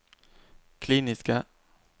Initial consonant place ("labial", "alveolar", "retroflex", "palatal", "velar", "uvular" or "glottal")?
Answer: velar